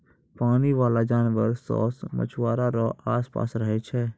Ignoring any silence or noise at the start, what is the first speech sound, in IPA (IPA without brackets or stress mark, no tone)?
p